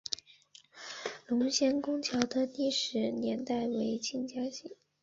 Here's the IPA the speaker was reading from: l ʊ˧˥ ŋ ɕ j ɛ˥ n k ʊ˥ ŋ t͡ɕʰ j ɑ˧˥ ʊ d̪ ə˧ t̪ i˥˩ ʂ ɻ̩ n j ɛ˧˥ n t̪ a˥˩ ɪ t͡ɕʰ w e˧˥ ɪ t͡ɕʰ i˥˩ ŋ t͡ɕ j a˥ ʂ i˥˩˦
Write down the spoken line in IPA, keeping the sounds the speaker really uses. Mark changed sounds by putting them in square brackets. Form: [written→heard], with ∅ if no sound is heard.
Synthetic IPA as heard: l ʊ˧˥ ŋ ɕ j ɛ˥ n k ʊ˥ ŋ t͡ɕʰ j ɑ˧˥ ʊ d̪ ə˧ t̪ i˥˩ ʂ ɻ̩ n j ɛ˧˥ n t̪ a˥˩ ɪ [t͡ɕʰ→∅] w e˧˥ ɪ t͡ɕʰ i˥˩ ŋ t͡ɕ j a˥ [ʂ→ɕ] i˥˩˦